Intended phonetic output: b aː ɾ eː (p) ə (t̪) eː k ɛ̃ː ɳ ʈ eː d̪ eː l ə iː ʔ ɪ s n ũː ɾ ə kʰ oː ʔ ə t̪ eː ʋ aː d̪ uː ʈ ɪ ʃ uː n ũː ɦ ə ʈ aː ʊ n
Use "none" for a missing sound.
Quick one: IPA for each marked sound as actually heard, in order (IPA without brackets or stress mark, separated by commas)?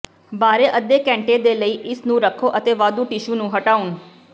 ʔ, d̪